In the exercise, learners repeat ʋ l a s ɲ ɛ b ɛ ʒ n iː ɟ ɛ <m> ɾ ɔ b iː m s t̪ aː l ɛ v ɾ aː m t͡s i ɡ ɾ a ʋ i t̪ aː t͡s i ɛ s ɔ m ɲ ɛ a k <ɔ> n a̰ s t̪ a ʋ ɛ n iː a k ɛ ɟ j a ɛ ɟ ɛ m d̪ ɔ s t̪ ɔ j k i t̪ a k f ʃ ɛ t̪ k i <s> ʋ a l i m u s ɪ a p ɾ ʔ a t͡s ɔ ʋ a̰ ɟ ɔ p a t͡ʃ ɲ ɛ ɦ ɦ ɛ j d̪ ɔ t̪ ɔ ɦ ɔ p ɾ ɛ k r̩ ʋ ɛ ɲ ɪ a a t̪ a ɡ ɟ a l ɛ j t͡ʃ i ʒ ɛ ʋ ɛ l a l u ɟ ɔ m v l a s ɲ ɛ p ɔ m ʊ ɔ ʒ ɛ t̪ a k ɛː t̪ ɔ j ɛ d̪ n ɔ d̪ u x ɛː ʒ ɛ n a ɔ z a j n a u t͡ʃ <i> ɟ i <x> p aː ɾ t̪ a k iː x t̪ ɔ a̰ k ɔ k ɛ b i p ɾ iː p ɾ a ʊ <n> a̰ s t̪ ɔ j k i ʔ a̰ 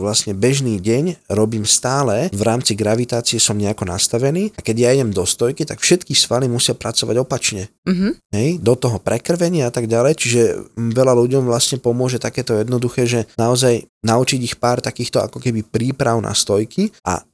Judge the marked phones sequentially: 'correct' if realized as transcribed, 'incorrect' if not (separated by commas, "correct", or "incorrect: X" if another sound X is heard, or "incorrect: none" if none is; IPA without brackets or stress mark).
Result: incorrect: ɲ, correct, correct, correct, correct, correct